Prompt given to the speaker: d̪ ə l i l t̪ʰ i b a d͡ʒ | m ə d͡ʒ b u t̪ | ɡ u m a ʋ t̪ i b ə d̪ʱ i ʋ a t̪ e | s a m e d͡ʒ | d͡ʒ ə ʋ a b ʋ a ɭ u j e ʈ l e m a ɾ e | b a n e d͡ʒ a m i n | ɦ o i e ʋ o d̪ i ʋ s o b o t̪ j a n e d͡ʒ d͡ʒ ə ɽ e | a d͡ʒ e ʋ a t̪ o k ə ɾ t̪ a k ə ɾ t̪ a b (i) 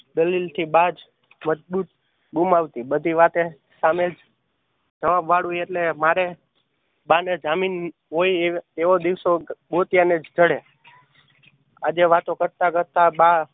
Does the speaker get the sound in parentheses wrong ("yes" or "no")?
yes